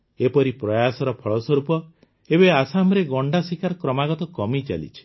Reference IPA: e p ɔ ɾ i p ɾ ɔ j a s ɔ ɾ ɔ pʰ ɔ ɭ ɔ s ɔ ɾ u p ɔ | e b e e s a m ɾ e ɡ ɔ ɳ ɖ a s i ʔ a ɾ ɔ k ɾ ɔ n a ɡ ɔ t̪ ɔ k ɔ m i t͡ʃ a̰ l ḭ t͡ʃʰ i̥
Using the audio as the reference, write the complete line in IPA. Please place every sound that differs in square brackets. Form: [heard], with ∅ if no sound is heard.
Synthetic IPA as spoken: e p ɔ ɾ i p ɾ ɔ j a s ɔ ɾ ɔ pʰ ɔ ɭ ɔ s ɔ ɾ u p ɔ | e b e [a] s a m ɾ e ɡ ɔ ɳ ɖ a s i [k] a ɾ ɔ k ɾ ɔ [m] a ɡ ɔ t̪ ɔ k ɔ m i t͡ʃ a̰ l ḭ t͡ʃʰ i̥